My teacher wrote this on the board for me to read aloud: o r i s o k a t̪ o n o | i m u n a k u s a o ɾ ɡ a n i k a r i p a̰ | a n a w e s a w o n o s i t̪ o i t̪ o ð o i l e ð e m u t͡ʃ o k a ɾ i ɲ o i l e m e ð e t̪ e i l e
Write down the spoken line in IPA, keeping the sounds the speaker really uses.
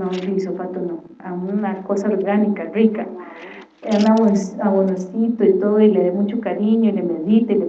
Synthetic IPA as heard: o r i s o p a t̪ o n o | a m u n a k o s a o ɾ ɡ a n i k a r i k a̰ | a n a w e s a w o n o s i t̪ o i t̪ o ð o i l e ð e m u t͡ʃ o k a ɾ i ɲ o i l e m e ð i t̪ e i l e